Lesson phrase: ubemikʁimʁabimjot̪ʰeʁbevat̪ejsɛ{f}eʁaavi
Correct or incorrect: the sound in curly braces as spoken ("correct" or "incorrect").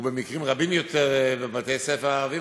correct